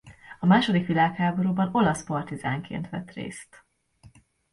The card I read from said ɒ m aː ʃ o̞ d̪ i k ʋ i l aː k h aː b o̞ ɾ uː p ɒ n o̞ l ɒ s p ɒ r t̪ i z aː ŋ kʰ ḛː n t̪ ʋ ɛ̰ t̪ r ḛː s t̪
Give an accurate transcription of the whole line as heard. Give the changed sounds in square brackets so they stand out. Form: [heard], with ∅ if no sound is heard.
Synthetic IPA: ɒ m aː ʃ o̞ d̪ i k ʋ i l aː k h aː b o̞ ɾ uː [b] ɒ n o̞ l ɒ s p ɒ r t̪ i z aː ŋ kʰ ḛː n t̪ ʋ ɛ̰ t̪ r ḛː s t̪